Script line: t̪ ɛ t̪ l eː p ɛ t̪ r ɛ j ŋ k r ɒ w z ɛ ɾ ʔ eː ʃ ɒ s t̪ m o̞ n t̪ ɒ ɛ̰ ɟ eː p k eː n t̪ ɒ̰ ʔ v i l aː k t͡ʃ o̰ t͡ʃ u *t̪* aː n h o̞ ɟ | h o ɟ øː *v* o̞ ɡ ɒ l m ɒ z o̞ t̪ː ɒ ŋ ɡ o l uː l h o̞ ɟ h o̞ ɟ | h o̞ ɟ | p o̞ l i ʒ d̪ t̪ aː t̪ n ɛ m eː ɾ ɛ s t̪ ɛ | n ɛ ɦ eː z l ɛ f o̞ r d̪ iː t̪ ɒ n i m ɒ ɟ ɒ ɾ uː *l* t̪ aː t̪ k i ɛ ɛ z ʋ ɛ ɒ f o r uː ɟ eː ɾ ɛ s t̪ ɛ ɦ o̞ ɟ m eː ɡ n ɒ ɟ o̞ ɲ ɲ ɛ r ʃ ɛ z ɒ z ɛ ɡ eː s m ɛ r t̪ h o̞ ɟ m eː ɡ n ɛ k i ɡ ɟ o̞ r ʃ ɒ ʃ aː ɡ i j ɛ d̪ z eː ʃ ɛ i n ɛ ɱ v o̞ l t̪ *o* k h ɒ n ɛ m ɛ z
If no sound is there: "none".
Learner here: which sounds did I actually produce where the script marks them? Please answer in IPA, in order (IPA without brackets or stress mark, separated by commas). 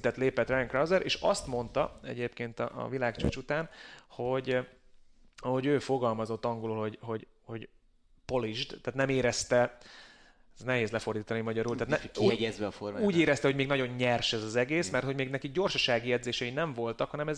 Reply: t̪, f, l, ɒ